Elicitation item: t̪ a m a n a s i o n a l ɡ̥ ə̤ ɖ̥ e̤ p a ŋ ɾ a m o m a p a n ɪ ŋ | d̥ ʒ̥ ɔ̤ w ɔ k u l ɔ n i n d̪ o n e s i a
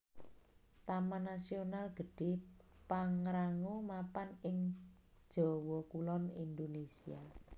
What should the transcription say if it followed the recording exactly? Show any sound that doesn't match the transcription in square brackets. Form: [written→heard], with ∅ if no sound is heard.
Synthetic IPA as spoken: t̪ a m a n a s i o n a l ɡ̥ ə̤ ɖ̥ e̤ p a ŋ ɾ a [m→ŋ] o m a p a n ɪ ŋ | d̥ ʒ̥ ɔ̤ w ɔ k u l ɔ n i n d̪ o n e s i a

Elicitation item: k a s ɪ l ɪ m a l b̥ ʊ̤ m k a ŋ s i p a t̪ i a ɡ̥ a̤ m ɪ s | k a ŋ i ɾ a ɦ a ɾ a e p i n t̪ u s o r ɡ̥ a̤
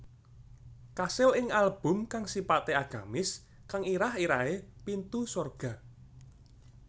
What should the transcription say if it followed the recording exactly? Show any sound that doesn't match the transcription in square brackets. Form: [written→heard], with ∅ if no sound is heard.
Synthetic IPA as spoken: k a s ɪ l ɪ [m→ŋ] a l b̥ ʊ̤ m k a ŋ s i p a t̪ [i→e] a ɡ̥ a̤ m ɪ s | k a ŋ i ɾ a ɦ [a→i] ɾ a e p i n t̪ u s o r ɡ̥ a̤

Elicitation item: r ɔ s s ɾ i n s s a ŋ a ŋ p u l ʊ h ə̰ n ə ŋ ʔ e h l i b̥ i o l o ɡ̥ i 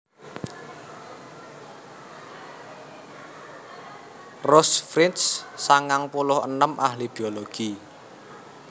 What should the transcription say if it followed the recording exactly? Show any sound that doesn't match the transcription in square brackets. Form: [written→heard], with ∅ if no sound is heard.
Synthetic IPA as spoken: r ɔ s [s→f] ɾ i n s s a ŋ a ŋ p u l ʊ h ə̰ n ə [ŋ→m] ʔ [e→a] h l i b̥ i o l o ɡ̥ i

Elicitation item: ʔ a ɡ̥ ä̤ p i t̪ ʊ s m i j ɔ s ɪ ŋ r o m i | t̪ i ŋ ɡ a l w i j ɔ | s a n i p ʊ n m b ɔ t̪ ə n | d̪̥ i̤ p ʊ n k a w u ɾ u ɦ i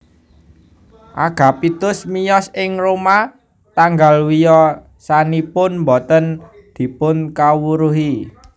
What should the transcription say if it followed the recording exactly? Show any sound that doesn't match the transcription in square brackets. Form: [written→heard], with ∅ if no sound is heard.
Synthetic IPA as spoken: ʔ a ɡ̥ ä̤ p i t̪ ʊ s m i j ɔ s ɪ ŋ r o m [i→a] | t̪ [i→a] ŋ ɡ a l w i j ɔ | s a n i p ʊ n m b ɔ t̪ ə n | d̪̥ i̤ p ʊ n k a w u ɾ u ɦ i

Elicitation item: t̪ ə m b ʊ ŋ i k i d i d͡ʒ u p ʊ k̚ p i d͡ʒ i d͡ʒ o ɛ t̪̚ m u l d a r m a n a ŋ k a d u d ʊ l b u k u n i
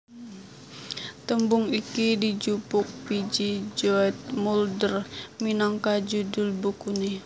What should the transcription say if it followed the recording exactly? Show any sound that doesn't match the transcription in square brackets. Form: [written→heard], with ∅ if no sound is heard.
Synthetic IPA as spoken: t̪ ə m b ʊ ŋ i k i d i d͡ʒ u p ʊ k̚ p i d͡ʒ i d͡ʒ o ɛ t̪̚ m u l d [a→ə] r m [a→i] n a ŋ k a [d→d͡ʒ] u d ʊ l b u k u n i

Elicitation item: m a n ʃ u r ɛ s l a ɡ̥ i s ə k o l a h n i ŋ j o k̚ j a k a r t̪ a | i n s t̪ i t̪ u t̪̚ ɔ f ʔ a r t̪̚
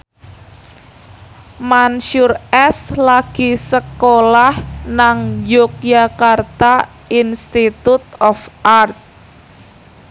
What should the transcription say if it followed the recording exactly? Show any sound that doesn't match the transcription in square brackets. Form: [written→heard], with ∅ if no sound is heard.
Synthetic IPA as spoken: m a n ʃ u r ɛ s l a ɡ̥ i s ə k o l a h n [i→a] ŋ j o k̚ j a k a r t̪ a | i n s t̪ i t̪ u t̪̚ ɔ f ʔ a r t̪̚

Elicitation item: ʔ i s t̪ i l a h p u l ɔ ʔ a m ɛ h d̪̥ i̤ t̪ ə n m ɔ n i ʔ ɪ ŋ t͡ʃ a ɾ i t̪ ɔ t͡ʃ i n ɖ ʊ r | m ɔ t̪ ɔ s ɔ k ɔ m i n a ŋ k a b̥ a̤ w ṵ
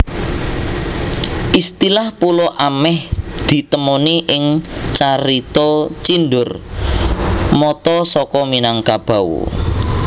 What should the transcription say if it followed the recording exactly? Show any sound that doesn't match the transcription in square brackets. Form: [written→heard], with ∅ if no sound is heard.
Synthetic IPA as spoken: ʔ i s t̪ i l a h p u l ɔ ʔ a m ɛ h d̪̥ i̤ t̪ ə [n→∅] m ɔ n i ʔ ɪ ŋ t͡ʃ a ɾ i t̪ ɔ t͡ʃ i n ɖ ʊ r | m ɔ t̪ ɔ s ɔ k ɔ m i n a ŋ k a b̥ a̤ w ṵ

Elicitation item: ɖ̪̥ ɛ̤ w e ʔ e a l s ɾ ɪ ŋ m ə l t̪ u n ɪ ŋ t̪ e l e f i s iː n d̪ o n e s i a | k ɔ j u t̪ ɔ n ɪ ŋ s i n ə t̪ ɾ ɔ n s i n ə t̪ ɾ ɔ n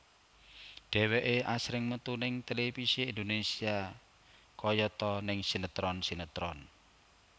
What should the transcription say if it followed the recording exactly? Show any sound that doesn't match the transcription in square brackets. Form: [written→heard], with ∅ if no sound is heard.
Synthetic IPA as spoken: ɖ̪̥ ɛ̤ w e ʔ e a [l→∅] s ɾ ɪ ŋ m ə [l→∅] t̪ u n ɪ ŋ t̪ e l e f i s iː n d̪ o n e s i a | k ɔ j [u→ɔ] t̪ ɔ n ɪ ŋ s i n ə t̪ ɾ ɔ n s i n ə t̪ ɾ ɔ n

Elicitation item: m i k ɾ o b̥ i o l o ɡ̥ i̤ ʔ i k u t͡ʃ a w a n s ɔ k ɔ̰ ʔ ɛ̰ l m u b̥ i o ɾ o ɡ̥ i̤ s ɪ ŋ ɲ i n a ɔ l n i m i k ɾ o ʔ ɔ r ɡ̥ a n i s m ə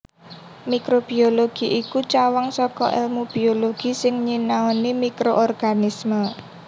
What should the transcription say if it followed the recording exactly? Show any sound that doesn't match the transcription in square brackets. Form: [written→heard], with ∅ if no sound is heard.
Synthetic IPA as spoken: m i k ɾ o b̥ i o l o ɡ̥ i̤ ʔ i k u t͡ʃ a w a [n→ŋ] s ɔ k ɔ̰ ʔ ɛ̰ l m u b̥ i o [ɾ→l] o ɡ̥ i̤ s ɪ ŋ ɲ i n a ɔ [l→∅] n i m i k ɾ o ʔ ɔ r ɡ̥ a n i s m ə

